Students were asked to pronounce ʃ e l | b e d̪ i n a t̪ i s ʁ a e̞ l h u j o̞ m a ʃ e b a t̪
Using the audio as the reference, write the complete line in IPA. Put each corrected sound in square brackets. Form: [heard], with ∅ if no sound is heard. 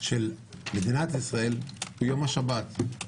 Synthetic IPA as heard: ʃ e l | [m] e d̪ i n a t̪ i s ʁ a e̞ l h u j o̞ m a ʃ [a] b a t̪